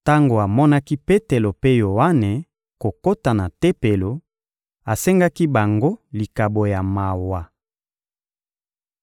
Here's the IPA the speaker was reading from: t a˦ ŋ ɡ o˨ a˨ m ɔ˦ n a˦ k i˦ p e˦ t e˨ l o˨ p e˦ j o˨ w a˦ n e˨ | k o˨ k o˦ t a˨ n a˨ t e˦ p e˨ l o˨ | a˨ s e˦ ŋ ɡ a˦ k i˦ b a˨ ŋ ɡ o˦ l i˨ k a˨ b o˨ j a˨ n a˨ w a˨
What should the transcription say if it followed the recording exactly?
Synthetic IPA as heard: t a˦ ŋ ɡ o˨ a˨ m ɔ˦ n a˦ k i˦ p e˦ t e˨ l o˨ p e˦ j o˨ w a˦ n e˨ | k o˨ k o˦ t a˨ n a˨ t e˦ p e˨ l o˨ | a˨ s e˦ ŋ ɡ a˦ k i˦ b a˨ ŋ ɡ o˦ l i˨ k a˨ b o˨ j a˨ m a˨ w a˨

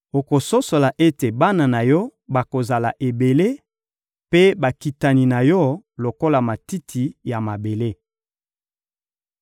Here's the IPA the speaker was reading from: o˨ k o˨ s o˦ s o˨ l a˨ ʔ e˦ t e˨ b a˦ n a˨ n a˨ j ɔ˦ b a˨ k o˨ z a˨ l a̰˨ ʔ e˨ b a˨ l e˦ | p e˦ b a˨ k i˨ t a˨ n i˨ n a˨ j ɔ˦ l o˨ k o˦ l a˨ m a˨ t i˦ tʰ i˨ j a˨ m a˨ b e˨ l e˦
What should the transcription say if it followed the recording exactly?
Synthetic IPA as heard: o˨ k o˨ s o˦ s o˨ l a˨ ʔ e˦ t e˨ b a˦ n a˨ n a˨ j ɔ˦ b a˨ k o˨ z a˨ l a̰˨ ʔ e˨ b e˨ l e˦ | p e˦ b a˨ k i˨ t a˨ n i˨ n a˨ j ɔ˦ l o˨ k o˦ l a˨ m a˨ t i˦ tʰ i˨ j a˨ m a˨ b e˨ l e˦

